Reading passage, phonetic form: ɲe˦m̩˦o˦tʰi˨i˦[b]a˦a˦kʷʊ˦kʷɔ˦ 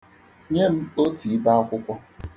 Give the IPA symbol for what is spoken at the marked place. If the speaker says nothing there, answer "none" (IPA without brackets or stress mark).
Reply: b